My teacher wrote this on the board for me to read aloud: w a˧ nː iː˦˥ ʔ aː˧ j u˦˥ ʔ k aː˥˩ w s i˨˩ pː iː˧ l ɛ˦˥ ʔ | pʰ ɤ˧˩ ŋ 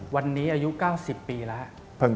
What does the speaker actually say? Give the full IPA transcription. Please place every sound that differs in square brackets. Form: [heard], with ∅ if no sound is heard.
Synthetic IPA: w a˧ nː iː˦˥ ʔ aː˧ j u˦˥ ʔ k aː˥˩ w s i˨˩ pː iː˧ l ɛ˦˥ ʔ | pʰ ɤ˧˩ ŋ